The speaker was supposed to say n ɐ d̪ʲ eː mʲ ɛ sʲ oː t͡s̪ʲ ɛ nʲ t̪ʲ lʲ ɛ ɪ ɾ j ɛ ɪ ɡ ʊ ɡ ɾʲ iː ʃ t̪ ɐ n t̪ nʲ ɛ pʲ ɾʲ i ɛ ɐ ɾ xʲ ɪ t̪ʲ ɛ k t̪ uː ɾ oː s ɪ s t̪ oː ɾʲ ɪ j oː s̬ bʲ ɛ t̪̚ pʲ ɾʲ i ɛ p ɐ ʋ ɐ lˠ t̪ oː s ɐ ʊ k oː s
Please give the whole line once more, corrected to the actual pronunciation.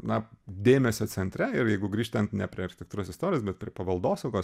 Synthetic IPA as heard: n ɐ d̪ʲ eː mʲ ɛ sʲ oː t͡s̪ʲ ɛ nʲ t̪ʲ ɾʲ ɛ ɪ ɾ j ɛ ɪ ɡ ʊ ɡ ɾʲ iː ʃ t̪ ɐ n t̪ nʲ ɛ pʲ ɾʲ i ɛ ɐ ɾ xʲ ɪ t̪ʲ ɛ k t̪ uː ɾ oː s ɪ s t̪ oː ɾʲ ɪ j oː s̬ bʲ ɛ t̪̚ pʲ ɾʲ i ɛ p ɐ ʋ ɐ lˠ d̪ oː s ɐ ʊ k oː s

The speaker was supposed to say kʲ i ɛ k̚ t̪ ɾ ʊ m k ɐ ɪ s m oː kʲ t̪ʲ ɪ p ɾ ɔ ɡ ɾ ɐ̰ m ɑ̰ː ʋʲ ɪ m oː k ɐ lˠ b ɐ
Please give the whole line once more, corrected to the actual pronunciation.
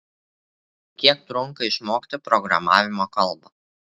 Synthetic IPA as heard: kʲ i ɛ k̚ t̪ ɾ ʊ ŋ k ɐ ɪ ʃ m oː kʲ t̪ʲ ɪ p ɾ ɔ ɡ ɾ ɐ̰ m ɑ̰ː ʋʲ ɪ m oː k ɐ lˠ b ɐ

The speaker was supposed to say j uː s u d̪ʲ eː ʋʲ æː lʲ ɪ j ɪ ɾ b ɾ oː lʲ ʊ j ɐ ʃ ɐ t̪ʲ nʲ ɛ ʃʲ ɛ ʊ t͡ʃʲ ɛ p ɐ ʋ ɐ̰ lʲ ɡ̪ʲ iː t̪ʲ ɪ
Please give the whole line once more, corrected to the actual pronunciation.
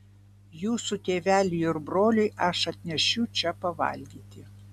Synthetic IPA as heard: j uː s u t̪ʲ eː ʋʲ æː lʲ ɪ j ɪ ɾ b ɾ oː lʲ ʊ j ɐ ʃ ɐ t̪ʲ nʲ ɛ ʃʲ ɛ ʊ t͡ʃʲ ɛ p ɐ ʋ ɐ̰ lʲ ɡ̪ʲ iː t̪ʲ ɪ

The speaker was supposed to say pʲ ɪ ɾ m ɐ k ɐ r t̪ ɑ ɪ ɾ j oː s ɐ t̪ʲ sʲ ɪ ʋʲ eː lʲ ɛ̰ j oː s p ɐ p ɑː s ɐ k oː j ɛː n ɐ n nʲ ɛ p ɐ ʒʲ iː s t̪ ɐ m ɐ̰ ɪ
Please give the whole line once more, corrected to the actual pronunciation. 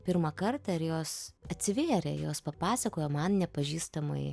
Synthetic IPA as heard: pʲ ɪ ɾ m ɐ k ɐ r t̪ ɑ ɪ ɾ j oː s ɐ t̪ʲ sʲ ɪ ʋʲ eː ɾʲ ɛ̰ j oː s p ɐ p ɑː s ɐ k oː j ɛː m ɐ n nʲ ɛ p ɐ ʒʲ iː s t̪ ɐ m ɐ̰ ɪ

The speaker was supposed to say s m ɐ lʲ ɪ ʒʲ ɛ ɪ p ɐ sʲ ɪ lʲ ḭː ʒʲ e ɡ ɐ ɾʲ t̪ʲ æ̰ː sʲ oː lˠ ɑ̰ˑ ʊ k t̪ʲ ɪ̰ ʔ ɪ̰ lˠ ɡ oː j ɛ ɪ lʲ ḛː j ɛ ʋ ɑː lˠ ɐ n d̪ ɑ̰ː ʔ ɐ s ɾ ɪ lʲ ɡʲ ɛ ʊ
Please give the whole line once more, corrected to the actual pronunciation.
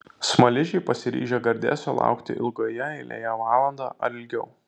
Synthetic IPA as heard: s m ɐ lʲ ɪ ʒʲ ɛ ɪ p ɐ sʲ ɪ ɾʲ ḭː ʒʲ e ɡ ɐ ɾʲ d̪ʲ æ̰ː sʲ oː lˠ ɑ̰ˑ ʊ k t̪ʲ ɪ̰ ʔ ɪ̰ lˠ ɡ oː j ɛ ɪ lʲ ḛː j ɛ ʋ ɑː lˠ ɐ n d̪ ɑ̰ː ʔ ɐ ɾ ɪ lʲ ɡʲ ɛ ʊ

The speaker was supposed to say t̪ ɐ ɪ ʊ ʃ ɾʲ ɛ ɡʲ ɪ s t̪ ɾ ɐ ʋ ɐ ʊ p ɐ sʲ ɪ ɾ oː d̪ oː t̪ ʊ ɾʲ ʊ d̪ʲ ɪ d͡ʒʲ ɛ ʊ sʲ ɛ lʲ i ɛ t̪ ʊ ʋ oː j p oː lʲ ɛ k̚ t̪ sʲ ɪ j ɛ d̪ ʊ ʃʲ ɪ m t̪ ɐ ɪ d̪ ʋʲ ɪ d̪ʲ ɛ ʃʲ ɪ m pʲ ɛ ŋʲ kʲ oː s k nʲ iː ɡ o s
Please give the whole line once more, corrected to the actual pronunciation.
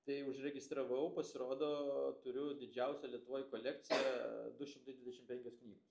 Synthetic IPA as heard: t̪ ɐ ɪ ʊ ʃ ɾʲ ɛ ɡʲ ɪ s t̪ ɾ ɐ ʋ ɐ ʊ p ɐ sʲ ɪ ɾ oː d̪ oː t̪ ʊ ɾʲ ʊ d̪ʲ ɪ d͡ʒʲ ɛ ʊ sʲ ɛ lʲ i ɛ t̪ ʊ ʋ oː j k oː lʲ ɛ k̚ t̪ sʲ ɪ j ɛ d̪ ʊ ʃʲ ɪ m t̪ ɐ ɪ d̪ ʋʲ ɪ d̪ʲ ɛ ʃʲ ɪ m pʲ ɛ ŋʲ kʲ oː s k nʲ iː ɡ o s

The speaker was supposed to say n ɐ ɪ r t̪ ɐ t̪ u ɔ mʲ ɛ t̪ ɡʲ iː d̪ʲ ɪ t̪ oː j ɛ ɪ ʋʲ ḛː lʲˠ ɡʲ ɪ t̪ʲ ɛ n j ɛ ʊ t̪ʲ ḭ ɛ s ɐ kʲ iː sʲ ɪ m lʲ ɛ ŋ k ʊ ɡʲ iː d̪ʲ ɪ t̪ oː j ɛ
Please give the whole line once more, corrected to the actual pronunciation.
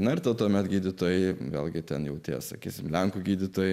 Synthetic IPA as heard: n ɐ ɪ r t̪ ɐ t̪ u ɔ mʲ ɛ t̪ ɡʲ iː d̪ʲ ɪ t̪ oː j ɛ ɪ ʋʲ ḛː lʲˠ ɡʲ ɪ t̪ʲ ɛ n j ɛ ʊ t̪ʲ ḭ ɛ s ɐ kʲ iː sʲ ɪ m lʲ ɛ ŋ k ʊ ɡʲ iː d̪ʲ ɪ t̪ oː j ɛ

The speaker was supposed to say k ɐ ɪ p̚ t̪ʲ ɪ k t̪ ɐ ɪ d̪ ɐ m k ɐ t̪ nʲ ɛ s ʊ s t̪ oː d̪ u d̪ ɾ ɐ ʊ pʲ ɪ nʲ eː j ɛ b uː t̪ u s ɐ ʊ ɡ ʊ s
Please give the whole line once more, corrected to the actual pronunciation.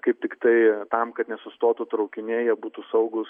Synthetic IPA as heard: k ɐ ɪ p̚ t̪ʲ ɪ k t̪ ɐ ɪ t̪ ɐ m k ɐ t̪ nʲ ɛ s ʊ s t̪ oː t̪ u t̪ ɾ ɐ ʊ kʲ ɪ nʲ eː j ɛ b uː t̪ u s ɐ ʊ ɡ ʊ s

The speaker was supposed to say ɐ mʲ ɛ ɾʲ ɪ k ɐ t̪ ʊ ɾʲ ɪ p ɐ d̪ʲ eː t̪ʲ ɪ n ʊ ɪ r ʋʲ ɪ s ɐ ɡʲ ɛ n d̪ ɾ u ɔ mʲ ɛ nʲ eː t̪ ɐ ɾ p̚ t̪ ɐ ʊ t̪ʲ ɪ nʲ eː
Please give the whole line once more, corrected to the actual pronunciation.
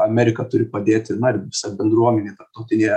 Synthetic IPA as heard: ɐ mʲ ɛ ɾʲ ɪ k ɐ t̪ ʊ ɾʲ ɪ p ɐ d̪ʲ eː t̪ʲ ɪ n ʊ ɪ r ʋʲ ɪ s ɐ bʲ ɛ n d̪ ɾ u ɔ mʲ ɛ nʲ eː t̪ ɐ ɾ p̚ t̪ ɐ ʊ t̪ʲ ɪ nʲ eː

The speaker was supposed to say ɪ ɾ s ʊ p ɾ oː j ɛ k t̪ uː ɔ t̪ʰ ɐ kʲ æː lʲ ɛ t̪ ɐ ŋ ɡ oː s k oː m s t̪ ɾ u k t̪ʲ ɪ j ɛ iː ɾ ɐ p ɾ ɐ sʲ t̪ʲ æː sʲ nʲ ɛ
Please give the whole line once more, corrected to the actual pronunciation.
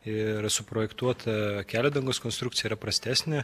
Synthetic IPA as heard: ɪ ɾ s ʊ p ɾ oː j ɛ k t̪ u ɔ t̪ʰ ɐ kʲ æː lʲ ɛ d̪ ɐ ŋ ɡ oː s k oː n s t̪ ɾ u k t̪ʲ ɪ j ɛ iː ɾ ɐ p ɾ ɐ sʲ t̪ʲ æː sʲ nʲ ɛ

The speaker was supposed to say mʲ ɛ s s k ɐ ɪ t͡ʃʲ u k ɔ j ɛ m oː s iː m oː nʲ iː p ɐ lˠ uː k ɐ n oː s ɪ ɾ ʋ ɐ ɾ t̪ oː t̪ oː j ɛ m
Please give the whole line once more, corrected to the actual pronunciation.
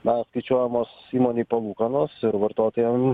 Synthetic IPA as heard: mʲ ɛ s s k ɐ ɪ t͡ʃʲ u ɔ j ɛ m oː s iː m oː nʲ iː p ɐ lˠ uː k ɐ n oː s ɪ ɾ ʋ ɐ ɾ t̪ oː t̪ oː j ɛ m

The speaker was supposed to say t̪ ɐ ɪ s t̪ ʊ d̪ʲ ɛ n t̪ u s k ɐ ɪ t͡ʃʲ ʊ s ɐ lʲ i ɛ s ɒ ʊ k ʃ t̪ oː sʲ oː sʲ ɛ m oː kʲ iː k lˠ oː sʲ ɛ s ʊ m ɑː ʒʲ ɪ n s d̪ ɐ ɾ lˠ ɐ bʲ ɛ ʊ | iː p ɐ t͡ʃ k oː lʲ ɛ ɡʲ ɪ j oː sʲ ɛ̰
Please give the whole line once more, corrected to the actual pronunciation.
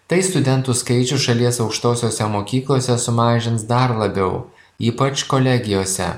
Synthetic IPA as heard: t̪ ɐ ɪ s t̪ ʊ d̪ʲ ɛ n t̪ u s k ɐ ɪ t͡ʃʲ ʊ ʃ ɐ lʲ i ɛ s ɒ ʊ k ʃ t̪ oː sʲ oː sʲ ɛ m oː kʲ iː k lˠ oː sʲ ɛ s ʊ m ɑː ʒʲ ɪ n s d̪ ɐ ɾ lˠ ɐ bʲ ɛ ʊ | iː p ɐ t͡ʃ k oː lʲ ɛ ɡʲ ɪ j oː sʲ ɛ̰

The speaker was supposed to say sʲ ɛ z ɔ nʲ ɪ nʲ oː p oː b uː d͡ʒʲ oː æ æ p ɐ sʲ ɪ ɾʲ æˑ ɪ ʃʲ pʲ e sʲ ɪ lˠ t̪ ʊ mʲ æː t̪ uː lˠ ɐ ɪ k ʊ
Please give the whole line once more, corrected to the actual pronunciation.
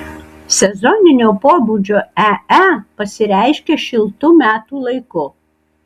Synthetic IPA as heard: sʲ ɛ z ɔ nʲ ɪ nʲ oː p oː b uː d͡ʒʲ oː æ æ p ɐ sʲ ɪ ɾʲ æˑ ɪ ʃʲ kʲ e ʃʲ ɪ lˠ t̪ ʊ mʲ æː t̪ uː lˠ ɐ ɪ k ʊ

